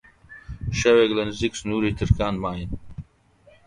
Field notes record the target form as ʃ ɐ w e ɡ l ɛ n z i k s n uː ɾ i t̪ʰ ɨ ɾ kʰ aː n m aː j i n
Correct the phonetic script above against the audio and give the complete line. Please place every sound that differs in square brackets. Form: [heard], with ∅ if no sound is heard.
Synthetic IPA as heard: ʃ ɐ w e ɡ l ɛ n z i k s n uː ɾ i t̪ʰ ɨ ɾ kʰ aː n m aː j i n